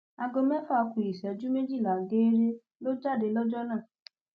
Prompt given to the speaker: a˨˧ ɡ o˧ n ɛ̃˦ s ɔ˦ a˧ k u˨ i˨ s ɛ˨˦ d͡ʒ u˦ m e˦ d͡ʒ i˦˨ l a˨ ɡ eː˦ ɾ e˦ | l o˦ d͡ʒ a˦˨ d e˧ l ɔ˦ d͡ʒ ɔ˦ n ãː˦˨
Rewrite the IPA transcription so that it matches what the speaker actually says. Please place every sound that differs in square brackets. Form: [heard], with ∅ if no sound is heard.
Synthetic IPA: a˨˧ ɡ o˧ [m] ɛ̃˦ [f] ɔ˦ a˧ k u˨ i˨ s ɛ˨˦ d͡ʒ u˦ m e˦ d͡ʒ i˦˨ l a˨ ɡ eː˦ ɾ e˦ | l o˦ d͡ʒ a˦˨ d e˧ l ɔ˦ d͡ʒ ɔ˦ n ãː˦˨